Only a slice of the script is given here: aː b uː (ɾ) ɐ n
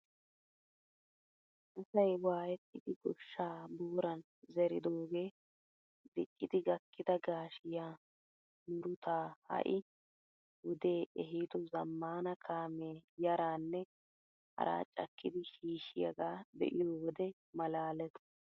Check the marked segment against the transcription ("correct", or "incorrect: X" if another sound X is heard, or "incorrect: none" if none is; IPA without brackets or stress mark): correct